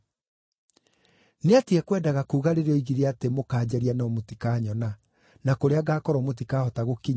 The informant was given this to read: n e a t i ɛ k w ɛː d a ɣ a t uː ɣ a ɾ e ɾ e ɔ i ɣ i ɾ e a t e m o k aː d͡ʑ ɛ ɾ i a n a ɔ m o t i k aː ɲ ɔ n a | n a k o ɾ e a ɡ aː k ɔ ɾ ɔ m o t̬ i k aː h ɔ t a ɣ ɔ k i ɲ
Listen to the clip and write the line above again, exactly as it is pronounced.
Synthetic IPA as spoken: n e a t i ɛ k w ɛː d a ɣ a k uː ɣ a ɾ e ɾ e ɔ i ɣ i ɾ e a t e m o k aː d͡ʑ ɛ ɾ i a n a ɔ m o t i k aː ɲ ɔ n a | n a k o ɾ e a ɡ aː k ɔ ɾ ɔ m o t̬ i k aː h ɔ t a ɣ o k i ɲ